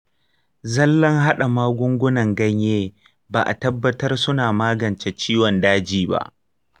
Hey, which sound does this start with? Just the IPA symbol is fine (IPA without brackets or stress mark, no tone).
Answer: z